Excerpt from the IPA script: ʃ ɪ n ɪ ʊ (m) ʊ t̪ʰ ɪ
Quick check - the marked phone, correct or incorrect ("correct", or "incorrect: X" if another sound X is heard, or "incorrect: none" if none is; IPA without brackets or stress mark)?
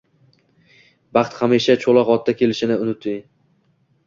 incorrect: n